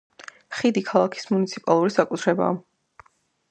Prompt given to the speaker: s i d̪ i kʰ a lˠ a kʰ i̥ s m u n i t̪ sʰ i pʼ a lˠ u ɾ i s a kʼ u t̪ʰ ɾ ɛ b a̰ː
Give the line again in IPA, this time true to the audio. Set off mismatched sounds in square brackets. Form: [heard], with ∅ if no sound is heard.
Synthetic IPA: [χ] i d̪ i kʰ a lˠ a kʰ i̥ s m u n i t̪ sʰ i pʼ a lˠ u ɾ i s a kʼ u t̪ʰ ɾ ɛ b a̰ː